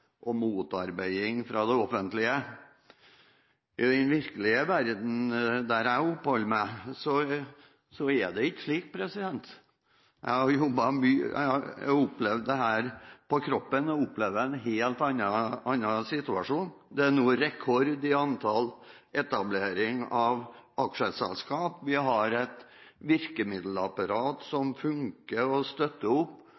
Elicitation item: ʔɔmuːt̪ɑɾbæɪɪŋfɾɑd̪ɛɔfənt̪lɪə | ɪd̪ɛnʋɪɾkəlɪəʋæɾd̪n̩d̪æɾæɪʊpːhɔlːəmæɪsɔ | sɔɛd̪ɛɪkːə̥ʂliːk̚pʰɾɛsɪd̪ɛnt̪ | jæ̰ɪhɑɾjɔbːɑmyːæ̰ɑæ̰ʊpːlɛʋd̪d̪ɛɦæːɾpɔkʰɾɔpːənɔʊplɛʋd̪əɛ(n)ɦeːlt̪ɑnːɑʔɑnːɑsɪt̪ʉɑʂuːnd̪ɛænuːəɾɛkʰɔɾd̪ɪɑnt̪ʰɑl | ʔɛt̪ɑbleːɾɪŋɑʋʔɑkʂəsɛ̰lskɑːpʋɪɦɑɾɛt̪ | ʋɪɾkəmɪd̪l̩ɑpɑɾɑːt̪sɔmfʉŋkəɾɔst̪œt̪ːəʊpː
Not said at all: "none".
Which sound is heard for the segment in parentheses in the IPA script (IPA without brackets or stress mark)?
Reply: n